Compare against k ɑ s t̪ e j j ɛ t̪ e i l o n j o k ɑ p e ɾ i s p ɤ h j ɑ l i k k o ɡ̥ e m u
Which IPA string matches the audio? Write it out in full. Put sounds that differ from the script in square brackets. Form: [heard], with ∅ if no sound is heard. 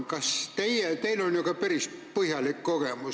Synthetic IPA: k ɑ s t̪ e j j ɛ t̪ e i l o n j o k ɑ p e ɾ i s p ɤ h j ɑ l i k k o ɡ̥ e m u